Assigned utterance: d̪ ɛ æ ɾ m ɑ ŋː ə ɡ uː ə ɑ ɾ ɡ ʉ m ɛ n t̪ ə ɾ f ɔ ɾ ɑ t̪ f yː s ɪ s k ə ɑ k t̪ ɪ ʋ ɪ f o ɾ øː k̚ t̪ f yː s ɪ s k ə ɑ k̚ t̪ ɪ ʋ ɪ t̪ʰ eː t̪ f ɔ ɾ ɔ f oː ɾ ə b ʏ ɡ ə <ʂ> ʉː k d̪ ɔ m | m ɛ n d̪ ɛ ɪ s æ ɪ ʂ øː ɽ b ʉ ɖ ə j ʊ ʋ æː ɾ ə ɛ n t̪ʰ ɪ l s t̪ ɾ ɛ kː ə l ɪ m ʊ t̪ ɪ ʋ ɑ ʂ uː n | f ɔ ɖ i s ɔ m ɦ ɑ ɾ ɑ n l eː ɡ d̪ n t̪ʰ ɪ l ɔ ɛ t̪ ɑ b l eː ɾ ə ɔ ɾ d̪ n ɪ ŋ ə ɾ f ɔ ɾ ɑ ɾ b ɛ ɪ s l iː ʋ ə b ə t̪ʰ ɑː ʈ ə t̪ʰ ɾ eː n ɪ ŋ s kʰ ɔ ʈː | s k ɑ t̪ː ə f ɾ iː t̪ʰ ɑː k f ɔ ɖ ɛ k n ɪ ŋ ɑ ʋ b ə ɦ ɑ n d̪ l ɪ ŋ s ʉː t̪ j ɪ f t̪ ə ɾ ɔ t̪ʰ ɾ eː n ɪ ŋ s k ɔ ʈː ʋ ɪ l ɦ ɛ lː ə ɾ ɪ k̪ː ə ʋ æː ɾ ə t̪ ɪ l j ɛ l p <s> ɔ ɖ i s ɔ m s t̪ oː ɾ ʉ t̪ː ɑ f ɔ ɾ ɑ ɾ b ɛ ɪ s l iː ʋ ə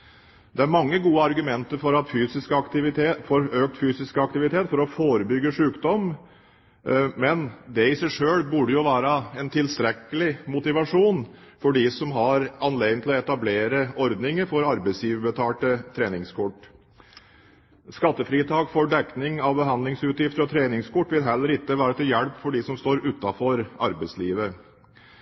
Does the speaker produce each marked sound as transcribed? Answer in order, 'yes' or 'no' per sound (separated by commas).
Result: yes, no